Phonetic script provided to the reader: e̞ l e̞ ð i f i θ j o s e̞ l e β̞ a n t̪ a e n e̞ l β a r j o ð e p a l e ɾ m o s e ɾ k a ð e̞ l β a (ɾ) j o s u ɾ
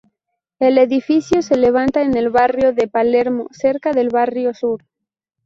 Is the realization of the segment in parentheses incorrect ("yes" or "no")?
yes